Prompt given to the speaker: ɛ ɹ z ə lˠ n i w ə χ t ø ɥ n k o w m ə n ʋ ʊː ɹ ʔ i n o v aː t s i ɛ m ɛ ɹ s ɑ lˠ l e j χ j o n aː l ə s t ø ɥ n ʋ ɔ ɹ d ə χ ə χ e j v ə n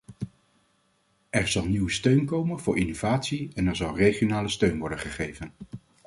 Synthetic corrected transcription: ɛ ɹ z ɑ lˠ n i w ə s t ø ɥ n k o w m ə n v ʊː ɹ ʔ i n o v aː t s i ɛ n ɛ ɹ z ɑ lˠ r e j χ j o n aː l ə s t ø ɥ n ʋ ɔ ɹ d ə χ ə χ e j v ə n